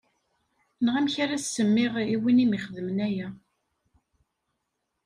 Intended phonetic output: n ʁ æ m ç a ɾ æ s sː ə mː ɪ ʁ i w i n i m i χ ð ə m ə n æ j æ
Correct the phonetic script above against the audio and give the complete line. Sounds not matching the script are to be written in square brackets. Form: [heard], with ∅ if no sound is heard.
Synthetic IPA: n ʁ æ m ç a ɾ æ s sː ə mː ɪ ʁ i w i n i m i χ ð ə m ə n æ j æ